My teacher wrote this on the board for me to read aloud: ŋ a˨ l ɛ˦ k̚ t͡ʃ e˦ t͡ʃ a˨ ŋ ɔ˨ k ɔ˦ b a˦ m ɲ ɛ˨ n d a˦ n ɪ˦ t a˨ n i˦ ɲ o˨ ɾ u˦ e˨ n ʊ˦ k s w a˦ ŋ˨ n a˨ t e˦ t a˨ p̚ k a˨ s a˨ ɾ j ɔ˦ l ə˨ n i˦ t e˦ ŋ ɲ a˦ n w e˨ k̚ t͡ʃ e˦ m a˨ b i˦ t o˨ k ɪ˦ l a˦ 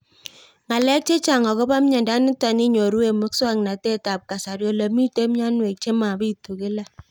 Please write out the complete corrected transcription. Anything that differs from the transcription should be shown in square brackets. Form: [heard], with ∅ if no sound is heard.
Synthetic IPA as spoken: ŋ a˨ l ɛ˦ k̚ t͡ʃ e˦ t͡ʃ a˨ ŋ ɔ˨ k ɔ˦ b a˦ m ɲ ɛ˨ n d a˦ n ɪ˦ t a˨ n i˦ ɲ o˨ ɾ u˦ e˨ [m] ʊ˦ k s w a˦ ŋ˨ n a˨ t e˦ t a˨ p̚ k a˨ s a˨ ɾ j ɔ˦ l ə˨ [m] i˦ t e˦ [m] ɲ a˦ n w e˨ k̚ t͡ʃ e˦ m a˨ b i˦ t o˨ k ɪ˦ l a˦